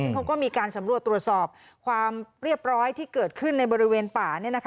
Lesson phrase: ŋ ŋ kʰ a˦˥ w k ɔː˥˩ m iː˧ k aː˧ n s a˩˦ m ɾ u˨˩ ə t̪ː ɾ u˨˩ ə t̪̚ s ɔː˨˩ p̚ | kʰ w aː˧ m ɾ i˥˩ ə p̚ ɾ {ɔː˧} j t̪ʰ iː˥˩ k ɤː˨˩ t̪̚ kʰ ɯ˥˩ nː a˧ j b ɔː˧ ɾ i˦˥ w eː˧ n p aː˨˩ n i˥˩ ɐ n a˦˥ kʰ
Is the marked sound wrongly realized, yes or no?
yes